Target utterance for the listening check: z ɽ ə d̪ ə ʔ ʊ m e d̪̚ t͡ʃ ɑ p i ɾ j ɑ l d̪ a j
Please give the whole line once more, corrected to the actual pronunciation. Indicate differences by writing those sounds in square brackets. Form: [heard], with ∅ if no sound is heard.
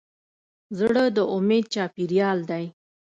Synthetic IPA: z ɽ ə d̪ ə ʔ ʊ m e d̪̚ t͡ʃ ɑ p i ɾ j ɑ l d̪ a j

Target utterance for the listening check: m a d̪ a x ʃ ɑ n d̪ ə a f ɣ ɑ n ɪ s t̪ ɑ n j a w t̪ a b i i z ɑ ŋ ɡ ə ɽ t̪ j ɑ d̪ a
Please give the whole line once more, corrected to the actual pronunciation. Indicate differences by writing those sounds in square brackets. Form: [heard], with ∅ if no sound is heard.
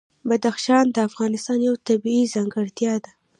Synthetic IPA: [b] a d̪ a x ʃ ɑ n d̪ ə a f ɣ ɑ n ɪ s t̪ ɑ n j a w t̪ a b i i z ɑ ŋ ɡ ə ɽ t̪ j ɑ d̪ a

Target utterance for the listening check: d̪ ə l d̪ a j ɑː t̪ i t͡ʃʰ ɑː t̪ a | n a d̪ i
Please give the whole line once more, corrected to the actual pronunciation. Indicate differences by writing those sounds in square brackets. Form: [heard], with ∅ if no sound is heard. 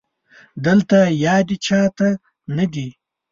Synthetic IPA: d̪ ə l [t̪] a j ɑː [d̪] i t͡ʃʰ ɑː t̪ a | n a d̪ i

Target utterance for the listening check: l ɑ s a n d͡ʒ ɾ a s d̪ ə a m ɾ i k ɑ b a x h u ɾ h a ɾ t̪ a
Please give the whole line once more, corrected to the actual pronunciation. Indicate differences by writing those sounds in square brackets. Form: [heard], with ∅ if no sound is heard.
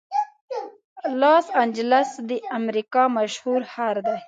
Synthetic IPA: l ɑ s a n d͡ʒ [l] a s d̪ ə a m ɾ i k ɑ [m] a [ʃ] h u ɾ h a ɾ [d̪] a

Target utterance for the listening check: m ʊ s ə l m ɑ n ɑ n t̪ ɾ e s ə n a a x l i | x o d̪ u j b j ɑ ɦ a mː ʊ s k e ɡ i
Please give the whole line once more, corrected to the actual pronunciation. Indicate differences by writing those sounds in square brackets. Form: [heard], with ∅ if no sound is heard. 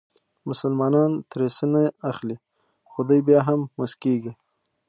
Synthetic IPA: m ʊ s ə l m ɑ n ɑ n t̪ ɾ e s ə n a a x l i | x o d̪ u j b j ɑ ɦ a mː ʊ s k e ɡ i

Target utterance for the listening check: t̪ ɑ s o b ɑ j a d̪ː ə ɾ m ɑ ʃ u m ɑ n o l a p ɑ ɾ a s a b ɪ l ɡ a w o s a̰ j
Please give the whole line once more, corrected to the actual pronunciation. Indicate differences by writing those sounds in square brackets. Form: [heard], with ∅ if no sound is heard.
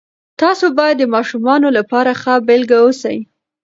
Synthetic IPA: t̪ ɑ s o b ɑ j a d̪ː ə [∅] m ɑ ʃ u m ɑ n o l a p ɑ ɾ a [x] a b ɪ l ɡ a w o s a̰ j

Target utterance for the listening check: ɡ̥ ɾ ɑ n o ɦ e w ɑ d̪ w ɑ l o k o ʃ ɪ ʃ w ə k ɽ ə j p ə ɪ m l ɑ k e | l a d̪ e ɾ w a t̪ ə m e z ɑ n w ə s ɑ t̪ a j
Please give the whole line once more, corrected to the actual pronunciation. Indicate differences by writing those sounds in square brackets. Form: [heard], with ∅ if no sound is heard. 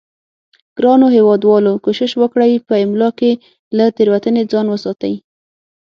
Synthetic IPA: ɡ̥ ɾ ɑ n o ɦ e w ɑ d̪ w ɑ l o k o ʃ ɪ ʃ w ə k ɽ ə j p ə ɪ m l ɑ k e | l a [t̪] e ɾ w a t̪ ə [n] e [d͡z] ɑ n w ə s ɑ t̪ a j

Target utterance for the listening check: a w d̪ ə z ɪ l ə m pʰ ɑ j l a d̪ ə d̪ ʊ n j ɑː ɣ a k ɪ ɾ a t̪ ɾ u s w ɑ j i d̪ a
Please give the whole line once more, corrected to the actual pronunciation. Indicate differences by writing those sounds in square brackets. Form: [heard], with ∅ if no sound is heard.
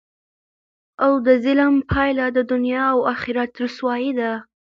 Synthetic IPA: a w d̪ ə z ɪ l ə m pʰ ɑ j l a d̪ ə d̪ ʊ n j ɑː [w] a [x] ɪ ɾ a t̪ ɾ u s w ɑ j i d̪ a

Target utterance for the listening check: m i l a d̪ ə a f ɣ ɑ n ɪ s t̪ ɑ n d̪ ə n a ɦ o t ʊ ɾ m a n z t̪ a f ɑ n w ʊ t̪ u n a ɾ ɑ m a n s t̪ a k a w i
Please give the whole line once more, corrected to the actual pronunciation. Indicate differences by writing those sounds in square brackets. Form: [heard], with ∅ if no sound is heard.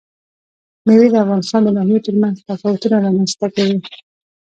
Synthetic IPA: m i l [i] d̪ ə a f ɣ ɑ n ɪ s t̪ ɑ n d̪ ə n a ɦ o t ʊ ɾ m a n z t̪ a f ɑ [∅] w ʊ t̪ u n a ɾ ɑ m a n s t̪ a k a w i

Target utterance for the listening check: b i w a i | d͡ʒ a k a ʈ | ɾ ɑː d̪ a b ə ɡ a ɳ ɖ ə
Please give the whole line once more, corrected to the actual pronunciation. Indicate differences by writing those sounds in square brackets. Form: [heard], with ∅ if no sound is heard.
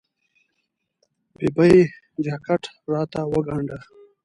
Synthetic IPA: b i [b] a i | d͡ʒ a k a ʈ | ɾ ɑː [t̪] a [w] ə ɡ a ɳ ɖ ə

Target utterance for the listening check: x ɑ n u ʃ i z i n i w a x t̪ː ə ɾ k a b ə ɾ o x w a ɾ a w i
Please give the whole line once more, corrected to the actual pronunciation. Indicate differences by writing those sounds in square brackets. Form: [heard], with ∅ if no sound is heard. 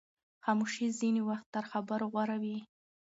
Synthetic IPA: x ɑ [m] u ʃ i z i n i w a x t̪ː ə ɾ [x] a b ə ɾ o [ɣ] w a ɾ a w i

